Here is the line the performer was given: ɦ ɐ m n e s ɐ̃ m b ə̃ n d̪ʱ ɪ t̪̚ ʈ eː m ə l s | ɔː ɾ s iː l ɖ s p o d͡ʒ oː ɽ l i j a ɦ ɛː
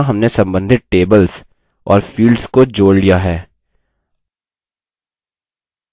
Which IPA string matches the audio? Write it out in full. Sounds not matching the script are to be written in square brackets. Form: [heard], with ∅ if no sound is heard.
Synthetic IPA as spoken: ɦ ɐ m n e s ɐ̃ m b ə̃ n d̪ʱ ɪ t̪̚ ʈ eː [b] ə l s | ɔː ɾ [f] iː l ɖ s [k] o d͡ʒ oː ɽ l i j a ɦ ɛː